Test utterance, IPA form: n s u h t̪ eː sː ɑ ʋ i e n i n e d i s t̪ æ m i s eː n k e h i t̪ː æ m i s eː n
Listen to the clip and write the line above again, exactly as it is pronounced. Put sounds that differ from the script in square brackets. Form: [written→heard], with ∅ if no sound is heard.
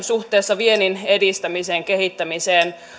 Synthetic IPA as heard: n s u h t̪ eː sː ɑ ʋ i e n i n e d i s t̪ æ m i s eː [n→ŋ] k e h i t̪ː æ m i s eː n